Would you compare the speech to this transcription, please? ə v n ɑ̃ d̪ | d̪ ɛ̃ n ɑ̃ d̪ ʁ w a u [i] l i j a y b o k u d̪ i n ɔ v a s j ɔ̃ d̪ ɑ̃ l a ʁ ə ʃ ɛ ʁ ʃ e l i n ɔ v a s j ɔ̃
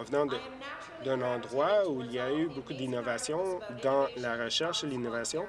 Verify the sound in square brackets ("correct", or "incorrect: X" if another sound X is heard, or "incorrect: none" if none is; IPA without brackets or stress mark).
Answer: correct